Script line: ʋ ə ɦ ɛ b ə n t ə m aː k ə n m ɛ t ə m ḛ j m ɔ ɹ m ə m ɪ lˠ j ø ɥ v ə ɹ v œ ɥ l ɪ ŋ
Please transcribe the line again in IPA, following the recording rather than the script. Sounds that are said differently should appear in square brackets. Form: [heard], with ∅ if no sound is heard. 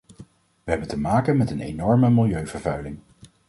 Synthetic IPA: ʋ ə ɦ ɛ b ə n t ə m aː k ə n m ɛ t ə [n] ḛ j [n] ɔ ɹ m ə m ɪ lˠ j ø ɥ v ə ɹ v œ ɥ l ɪ ŋ

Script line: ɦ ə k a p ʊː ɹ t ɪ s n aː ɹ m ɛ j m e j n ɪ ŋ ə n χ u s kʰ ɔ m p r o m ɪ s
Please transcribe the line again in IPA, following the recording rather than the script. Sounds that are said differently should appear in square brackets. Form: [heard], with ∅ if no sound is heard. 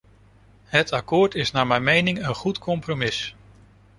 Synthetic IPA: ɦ ə [t] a [k] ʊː ɹ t ɪ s n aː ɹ m ɛ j m e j n ɪ ŋ ə n χ u [t] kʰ ɔ m p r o m ɪ s

